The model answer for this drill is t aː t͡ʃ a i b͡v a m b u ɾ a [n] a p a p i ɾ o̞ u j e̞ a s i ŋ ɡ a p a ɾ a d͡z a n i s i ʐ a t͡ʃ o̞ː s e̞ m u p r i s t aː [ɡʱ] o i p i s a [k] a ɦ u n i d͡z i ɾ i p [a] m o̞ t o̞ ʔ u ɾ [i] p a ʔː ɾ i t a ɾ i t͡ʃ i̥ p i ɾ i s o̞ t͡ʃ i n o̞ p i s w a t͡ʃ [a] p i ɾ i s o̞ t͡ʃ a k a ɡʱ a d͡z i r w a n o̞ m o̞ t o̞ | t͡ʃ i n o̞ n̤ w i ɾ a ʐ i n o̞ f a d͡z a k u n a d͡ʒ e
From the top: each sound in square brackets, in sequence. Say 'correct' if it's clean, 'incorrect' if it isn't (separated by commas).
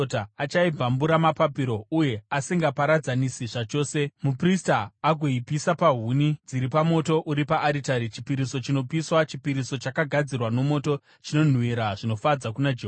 incorrect, correct, incorrect, correct, correct, incorrect